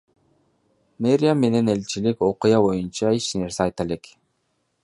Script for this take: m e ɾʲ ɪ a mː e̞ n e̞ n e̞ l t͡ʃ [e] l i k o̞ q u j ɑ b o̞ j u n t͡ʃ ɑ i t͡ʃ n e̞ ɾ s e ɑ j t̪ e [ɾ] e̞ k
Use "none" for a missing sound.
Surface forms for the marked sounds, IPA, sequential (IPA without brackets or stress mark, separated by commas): i, l